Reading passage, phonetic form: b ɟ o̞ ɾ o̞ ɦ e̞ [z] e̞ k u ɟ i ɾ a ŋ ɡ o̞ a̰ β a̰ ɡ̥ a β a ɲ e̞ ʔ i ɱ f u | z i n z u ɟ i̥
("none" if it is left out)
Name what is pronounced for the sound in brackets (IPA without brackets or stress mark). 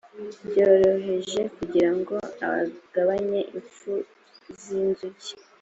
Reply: ʒ